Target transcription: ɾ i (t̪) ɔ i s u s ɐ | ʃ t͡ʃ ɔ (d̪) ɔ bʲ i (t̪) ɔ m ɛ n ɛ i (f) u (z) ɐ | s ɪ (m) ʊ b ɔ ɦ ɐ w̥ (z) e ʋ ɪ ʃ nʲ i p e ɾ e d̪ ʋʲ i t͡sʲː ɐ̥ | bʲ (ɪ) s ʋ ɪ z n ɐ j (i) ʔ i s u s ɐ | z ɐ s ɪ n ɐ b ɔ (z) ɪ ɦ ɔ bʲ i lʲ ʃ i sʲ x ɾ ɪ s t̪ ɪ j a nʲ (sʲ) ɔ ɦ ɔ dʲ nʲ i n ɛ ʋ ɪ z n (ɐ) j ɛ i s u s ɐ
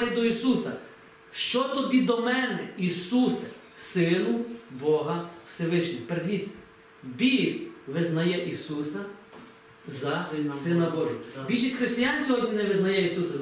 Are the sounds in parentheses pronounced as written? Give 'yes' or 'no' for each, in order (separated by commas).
no, no, no, no, no, no, no, no, no, no, yes, yes